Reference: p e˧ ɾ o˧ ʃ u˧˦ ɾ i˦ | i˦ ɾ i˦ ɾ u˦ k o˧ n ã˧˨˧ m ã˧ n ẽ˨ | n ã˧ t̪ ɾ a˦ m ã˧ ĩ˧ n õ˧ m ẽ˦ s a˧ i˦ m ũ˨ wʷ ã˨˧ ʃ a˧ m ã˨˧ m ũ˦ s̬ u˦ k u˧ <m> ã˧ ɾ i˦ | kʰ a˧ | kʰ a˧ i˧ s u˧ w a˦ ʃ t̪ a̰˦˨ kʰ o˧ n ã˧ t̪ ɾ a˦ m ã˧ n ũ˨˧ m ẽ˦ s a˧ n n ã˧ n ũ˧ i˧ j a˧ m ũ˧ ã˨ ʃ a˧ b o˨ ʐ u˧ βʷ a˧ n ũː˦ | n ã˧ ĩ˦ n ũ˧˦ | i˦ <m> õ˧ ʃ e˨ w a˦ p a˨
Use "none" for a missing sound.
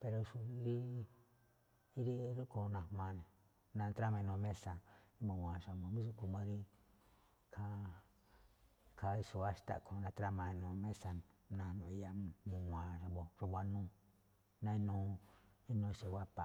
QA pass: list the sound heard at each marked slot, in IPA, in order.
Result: m, n

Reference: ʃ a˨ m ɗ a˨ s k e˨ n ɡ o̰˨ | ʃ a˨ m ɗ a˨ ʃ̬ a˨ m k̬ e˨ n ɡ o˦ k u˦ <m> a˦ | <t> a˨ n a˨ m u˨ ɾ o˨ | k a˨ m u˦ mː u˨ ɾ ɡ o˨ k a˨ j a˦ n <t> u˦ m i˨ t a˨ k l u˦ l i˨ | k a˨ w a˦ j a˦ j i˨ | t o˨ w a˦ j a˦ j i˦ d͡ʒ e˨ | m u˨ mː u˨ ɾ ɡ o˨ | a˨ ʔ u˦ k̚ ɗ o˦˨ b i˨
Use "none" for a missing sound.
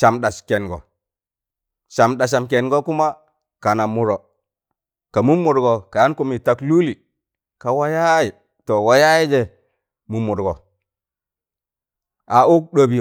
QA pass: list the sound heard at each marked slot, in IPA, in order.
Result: m, k, k

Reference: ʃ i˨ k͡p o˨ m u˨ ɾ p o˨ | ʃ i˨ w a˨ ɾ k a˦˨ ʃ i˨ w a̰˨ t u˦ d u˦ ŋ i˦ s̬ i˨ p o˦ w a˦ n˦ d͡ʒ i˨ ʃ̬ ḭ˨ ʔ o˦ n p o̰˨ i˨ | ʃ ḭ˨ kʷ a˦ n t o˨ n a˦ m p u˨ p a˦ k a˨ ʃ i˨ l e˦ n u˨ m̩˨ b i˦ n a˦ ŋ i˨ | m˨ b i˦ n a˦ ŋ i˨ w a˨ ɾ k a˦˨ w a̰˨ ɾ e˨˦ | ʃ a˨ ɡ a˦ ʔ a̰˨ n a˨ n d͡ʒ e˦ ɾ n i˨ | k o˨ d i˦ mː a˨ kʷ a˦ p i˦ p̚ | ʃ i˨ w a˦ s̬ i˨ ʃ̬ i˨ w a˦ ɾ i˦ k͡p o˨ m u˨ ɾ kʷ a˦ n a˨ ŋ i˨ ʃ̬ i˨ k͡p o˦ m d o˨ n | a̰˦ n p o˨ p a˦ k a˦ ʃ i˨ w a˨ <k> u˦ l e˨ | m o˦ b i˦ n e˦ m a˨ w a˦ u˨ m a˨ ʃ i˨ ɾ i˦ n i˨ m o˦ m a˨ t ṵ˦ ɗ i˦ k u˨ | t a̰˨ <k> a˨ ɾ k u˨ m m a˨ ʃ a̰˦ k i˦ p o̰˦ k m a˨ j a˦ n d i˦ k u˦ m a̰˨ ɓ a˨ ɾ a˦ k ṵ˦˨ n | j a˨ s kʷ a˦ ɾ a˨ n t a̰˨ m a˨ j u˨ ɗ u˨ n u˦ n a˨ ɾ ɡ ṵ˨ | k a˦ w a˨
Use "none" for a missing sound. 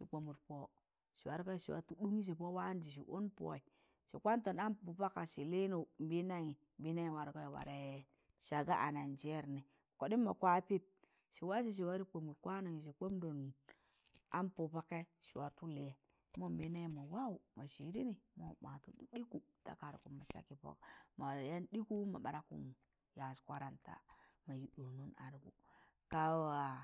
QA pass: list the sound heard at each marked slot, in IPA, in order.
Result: t, k

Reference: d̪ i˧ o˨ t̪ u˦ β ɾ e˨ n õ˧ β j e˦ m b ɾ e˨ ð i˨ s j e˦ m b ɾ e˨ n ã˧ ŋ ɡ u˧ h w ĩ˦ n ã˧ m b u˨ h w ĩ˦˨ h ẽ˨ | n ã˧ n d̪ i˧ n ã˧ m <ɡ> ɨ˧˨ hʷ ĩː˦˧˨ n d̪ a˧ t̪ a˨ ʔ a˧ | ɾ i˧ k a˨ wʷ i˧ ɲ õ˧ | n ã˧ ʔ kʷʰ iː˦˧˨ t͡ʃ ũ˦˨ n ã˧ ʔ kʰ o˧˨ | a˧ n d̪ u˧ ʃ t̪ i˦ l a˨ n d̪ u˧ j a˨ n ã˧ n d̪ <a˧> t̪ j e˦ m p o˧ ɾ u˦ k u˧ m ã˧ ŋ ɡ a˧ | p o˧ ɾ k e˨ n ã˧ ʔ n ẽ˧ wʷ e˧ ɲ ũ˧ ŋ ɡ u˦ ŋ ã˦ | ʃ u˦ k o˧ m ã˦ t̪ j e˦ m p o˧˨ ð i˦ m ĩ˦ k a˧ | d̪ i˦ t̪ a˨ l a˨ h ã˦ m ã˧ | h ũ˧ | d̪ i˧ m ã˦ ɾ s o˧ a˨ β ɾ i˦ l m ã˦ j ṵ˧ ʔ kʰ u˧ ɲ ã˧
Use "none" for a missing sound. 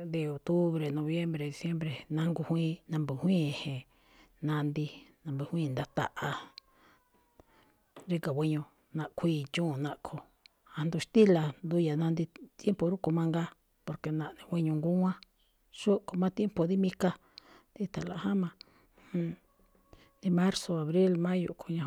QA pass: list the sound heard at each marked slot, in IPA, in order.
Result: b, i˧

